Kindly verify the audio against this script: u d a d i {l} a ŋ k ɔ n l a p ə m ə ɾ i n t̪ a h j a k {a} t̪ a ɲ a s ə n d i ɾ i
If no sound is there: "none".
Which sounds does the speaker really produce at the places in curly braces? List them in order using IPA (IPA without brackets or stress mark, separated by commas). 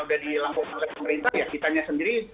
l, i